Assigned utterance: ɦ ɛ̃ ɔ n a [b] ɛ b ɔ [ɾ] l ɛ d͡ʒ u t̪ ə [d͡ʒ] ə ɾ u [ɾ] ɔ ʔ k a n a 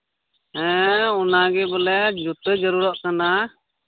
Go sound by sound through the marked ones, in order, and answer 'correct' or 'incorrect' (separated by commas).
incorrect, incorrect, correct, correct